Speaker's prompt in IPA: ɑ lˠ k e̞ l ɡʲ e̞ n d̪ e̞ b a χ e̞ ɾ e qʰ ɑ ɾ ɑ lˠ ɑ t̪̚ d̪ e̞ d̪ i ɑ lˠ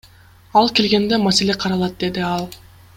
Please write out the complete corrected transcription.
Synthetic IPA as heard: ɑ lˠ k e̞ l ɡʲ e̞ n d̪ e̞ m a s e̞ l e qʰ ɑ ɾ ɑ lˠ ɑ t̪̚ d̪ e̞ d̪ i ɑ lˠ